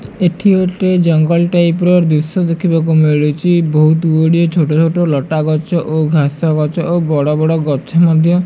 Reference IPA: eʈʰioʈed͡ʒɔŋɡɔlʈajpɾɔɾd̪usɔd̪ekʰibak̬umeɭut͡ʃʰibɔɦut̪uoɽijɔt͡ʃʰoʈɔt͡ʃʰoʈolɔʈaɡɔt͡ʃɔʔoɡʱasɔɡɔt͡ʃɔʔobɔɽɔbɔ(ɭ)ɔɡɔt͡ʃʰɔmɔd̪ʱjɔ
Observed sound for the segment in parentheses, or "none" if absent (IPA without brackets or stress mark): ɽ